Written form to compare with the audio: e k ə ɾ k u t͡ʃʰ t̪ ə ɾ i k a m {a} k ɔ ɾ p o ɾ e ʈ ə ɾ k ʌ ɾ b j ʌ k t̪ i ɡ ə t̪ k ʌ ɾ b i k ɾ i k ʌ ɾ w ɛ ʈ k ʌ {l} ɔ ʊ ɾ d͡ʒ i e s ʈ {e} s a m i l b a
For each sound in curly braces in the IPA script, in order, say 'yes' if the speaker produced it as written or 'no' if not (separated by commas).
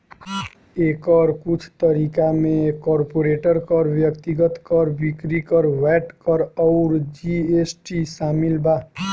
no, no, no